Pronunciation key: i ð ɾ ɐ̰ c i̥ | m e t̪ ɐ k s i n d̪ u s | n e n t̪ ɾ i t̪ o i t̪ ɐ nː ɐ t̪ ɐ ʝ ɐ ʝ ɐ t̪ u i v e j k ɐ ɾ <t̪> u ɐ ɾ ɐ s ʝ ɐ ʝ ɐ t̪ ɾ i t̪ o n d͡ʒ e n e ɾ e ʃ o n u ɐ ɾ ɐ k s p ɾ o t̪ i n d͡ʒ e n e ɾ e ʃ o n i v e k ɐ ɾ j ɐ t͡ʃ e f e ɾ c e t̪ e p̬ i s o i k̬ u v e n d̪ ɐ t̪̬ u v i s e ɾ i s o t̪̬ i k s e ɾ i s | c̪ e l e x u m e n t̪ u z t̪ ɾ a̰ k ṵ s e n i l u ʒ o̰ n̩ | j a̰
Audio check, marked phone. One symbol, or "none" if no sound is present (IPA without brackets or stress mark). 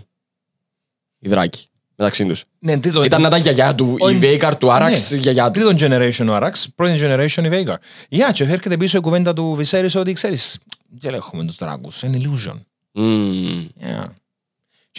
t̪